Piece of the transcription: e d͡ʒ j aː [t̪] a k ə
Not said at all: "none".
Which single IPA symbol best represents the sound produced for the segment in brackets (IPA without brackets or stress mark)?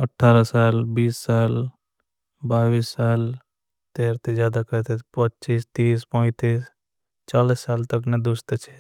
d̪